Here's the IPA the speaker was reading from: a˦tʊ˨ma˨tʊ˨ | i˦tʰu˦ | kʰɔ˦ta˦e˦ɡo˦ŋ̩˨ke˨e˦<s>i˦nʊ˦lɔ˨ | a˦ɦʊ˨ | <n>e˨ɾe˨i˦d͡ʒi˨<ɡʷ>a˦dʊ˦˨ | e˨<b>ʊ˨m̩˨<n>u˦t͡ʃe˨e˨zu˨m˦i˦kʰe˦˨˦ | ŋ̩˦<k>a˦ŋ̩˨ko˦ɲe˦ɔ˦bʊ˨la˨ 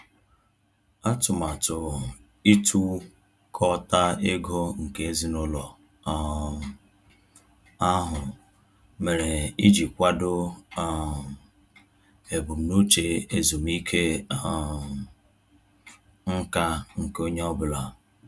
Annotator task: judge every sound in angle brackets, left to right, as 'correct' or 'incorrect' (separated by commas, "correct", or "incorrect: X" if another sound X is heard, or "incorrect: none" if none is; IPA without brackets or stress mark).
incorrect: z, incorrect: m, incorrect: kʷ, correct, correct, correct